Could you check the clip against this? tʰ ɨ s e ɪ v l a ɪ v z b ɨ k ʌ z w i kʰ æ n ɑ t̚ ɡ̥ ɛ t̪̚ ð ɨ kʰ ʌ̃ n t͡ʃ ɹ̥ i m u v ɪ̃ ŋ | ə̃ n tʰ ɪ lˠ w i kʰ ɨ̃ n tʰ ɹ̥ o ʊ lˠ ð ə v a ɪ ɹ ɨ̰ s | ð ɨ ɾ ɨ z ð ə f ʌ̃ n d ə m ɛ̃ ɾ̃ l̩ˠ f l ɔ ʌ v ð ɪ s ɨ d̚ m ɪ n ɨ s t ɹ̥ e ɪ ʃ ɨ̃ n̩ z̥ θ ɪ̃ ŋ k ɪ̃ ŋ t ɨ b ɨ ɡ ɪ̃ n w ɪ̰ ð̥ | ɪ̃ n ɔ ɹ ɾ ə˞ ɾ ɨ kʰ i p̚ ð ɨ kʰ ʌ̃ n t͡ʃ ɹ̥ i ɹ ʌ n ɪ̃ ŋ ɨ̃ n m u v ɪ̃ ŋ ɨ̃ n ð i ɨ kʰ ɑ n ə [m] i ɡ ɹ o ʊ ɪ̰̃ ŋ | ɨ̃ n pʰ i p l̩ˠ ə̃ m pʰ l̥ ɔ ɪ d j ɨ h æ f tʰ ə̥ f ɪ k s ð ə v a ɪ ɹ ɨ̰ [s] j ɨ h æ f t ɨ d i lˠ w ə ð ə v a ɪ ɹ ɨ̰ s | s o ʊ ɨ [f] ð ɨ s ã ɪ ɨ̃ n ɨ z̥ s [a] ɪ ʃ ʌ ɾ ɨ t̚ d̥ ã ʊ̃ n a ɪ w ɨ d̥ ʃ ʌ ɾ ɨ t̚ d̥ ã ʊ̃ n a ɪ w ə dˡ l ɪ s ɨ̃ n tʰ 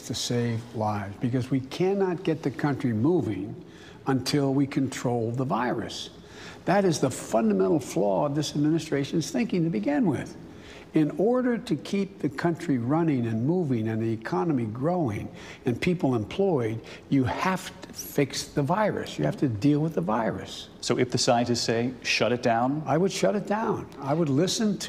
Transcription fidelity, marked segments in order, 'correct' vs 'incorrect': correct, correct, correct, incorrect: e

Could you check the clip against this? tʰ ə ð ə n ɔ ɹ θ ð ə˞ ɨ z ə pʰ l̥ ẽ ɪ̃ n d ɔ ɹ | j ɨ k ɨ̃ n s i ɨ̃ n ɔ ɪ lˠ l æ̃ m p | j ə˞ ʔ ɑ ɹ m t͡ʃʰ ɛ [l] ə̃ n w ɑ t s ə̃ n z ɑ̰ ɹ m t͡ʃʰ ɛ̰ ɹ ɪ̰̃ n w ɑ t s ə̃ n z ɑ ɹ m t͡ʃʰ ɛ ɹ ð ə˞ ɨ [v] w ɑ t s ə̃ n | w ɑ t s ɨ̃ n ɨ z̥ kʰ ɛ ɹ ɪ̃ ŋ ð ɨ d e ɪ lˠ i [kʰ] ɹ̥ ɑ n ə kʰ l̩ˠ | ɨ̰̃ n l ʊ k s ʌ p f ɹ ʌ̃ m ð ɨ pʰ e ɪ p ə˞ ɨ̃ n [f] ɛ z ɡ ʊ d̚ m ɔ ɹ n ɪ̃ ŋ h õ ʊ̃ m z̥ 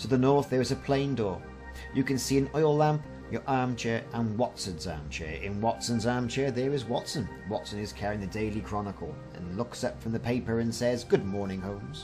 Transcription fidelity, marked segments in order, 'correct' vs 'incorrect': incorrect: ɹ, incorrect: z, correct, incorrect: s

